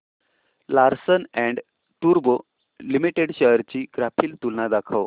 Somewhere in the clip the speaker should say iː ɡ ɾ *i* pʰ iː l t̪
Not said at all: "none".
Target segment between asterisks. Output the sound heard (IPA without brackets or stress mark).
a